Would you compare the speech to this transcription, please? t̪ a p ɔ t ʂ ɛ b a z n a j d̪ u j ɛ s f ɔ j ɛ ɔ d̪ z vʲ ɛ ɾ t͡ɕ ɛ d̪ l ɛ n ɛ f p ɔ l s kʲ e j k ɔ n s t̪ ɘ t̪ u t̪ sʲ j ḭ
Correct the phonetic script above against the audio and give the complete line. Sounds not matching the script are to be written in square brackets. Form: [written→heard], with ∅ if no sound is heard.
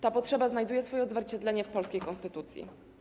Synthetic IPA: t̪ a p ɔ t ʂ ɛ b a z n a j d̪ u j ɛ s f ɔ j ɛ ɔ d̪ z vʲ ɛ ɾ t͡ɕ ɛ d̪ l ɛ [n→ɲ] ɛ f p ɔ l s kʲ e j k ɔ n s t̪ ɘ t̪ u t̪ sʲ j ḭ